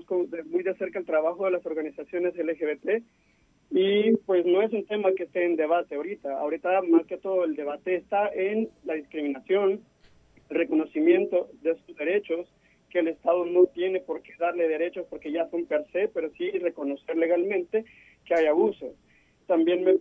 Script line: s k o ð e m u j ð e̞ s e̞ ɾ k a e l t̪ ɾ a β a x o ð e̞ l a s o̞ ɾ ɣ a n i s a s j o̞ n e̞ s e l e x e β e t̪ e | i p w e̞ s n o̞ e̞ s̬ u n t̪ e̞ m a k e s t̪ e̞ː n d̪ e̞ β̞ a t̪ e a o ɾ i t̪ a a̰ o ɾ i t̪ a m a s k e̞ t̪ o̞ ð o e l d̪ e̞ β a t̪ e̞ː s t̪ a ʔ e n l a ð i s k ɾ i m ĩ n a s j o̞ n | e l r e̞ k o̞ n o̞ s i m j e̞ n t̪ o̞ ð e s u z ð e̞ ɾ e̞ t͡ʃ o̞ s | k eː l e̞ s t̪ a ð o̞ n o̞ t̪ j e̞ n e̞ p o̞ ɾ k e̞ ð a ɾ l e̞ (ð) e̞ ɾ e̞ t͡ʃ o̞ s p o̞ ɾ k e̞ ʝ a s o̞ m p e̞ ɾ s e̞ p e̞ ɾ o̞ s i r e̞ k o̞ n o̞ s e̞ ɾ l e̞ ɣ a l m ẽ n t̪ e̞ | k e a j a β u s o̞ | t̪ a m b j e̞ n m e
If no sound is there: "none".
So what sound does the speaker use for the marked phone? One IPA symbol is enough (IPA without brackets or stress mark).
ð